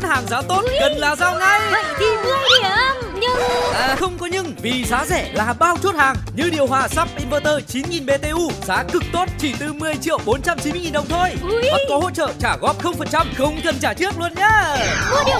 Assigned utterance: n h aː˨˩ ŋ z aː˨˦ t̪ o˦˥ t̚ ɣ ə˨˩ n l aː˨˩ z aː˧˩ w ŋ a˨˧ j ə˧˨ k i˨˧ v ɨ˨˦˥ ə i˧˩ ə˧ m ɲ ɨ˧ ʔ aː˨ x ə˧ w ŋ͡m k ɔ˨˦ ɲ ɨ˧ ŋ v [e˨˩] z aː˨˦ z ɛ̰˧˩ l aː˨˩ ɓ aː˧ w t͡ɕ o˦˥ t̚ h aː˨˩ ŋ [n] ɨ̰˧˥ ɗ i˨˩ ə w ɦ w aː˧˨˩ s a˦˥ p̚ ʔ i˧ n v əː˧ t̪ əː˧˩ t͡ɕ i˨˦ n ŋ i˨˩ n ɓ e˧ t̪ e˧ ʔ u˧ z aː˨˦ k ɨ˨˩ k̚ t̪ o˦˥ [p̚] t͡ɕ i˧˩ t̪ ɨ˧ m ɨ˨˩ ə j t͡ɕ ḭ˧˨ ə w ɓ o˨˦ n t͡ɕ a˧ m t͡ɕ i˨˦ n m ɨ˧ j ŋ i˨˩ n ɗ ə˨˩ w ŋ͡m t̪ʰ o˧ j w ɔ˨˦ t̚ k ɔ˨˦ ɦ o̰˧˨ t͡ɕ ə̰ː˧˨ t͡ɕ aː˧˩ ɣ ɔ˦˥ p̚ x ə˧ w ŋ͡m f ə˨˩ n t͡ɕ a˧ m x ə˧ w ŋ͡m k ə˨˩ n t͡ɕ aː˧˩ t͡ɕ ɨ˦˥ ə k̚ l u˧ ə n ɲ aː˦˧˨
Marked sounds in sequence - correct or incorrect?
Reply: incorrect: i˨˩, incorrect: ɲ, incorrect: t̚

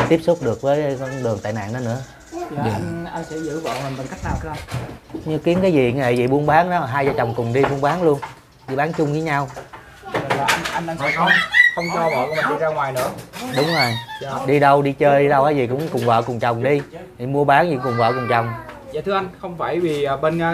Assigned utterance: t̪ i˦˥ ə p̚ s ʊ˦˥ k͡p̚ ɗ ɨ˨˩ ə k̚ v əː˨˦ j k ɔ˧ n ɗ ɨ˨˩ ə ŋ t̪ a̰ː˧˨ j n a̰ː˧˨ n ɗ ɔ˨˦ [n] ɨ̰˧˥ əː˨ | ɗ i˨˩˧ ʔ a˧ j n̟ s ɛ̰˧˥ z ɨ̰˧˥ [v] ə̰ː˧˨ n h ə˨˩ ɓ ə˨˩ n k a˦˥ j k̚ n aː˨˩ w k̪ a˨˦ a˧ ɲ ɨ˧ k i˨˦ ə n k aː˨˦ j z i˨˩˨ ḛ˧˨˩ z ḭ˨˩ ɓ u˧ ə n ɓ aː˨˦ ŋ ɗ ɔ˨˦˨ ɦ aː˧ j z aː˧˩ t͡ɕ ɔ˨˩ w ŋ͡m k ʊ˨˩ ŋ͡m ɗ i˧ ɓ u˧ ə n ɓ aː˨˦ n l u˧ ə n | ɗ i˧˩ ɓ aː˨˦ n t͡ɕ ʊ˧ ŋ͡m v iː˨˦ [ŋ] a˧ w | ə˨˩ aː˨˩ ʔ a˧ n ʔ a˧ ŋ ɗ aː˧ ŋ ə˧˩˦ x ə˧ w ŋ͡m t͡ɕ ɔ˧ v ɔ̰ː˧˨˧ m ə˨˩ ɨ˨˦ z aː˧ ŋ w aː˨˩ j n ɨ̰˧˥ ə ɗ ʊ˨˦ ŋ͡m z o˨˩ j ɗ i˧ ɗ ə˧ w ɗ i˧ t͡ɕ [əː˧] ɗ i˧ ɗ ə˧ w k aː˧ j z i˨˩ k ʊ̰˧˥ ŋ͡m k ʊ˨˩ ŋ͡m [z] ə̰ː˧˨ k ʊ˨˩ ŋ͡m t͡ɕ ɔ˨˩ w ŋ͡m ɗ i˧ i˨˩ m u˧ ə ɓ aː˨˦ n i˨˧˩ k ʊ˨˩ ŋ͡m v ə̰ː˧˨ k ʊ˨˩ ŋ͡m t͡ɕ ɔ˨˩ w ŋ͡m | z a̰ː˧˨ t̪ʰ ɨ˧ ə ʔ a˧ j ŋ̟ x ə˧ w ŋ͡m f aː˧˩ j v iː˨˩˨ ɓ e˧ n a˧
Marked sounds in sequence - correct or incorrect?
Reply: correct, correct, incorrect: ɲ, correct, incorrect: v

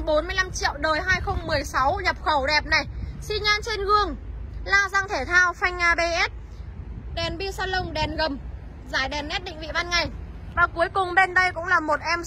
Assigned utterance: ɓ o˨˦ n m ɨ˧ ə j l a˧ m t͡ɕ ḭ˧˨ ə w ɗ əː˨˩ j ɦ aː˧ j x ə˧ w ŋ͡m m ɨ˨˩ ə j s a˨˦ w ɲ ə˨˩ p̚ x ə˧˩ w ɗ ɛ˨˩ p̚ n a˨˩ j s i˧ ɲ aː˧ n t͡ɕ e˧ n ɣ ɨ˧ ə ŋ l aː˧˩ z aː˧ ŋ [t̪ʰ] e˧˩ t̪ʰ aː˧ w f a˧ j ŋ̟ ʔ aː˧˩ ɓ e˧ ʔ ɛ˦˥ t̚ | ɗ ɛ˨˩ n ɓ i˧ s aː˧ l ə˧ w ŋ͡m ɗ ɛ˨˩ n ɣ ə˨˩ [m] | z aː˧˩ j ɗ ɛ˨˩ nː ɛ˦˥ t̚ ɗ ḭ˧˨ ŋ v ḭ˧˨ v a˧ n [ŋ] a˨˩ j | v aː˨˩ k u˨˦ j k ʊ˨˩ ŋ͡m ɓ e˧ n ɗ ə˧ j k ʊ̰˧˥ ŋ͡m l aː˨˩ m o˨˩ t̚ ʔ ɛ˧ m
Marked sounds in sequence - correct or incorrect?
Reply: correct, correct, correct

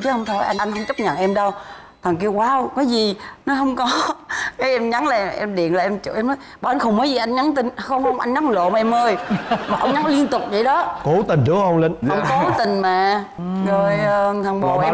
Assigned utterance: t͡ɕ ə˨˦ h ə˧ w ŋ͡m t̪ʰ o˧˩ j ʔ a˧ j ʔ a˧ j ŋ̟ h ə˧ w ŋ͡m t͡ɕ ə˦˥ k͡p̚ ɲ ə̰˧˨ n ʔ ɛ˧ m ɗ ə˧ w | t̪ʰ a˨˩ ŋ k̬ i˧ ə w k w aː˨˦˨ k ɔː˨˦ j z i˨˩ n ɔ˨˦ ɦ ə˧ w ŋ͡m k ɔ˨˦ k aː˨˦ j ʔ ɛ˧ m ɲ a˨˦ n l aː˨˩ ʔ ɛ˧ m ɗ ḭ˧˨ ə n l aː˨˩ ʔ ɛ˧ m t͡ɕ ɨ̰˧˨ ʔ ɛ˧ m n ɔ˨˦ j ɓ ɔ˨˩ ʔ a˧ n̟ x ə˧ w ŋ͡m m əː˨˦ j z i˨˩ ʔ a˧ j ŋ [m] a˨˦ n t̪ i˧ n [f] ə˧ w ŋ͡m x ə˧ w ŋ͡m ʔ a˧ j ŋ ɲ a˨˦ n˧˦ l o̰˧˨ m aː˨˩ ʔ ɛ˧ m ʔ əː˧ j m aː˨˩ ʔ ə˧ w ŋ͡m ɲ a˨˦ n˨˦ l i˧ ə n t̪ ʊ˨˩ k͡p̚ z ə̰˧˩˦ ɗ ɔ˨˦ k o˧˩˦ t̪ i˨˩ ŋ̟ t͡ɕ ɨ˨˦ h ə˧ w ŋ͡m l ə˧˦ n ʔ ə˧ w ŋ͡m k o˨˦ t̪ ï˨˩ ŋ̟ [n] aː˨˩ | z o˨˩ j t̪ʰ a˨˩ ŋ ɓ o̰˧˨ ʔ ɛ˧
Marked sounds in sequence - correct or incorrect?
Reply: incorrect: ɲ, incorrect: x, incorrect: m

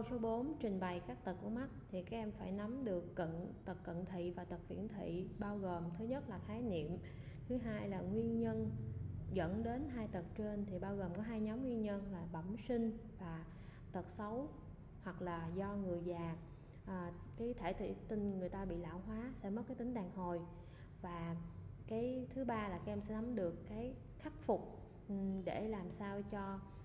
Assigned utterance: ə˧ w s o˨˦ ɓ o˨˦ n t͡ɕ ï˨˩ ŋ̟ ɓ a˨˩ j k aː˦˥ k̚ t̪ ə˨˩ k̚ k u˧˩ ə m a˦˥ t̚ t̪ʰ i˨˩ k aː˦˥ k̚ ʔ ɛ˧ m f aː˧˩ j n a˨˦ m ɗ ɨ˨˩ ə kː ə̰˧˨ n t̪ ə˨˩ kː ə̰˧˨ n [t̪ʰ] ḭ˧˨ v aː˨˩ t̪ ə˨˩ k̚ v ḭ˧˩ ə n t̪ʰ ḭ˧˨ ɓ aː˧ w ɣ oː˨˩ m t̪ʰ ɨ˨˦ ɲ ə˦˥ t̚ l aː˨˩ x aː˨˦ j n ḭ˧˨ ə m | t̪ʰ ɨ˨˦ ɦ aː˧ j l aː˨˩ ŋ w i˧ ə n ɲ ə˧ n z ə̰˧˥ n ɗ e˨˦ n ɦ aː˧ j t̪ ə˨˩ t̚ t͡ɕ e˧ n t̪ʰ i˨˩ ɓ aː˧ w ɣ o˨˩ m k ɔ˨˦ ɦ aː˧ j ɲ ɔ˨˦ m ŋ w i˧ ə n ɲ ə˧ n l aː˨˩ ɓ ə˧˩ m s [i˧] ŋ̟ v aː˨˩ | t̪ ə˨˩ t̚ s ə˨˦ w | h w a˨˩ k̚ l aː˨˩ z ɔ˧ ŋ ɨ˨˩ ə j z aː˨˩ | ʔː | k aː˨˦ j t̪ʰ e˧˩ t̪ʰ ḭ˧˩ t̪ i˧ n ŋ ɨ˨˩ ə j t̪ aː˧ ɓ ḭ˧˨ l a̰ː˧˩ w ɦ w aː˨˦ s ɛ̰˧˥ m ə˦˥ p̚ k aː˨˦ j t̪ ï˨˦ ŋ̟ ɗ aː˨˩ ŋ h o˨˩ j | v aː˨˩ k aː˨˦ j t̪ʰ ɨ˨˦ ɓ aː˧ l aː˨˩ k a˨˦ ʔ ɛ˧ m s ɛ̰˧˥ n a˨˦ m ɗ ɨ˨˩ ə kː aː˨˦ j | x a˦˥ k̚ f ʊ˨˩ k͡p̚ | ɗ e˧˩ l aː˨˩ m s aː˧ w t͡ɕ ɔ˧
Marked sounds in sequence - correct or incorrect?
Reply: correct, correct

